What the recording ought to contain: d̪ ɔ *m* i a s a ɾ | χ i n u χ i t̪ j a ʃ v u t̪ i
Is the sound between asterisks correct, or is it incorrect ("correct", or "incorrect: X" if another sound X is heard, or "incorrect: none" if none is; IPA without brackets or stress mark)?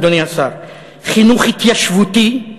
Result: incorrect: n